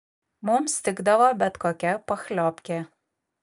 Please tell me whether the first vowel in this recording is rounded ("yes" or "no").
yes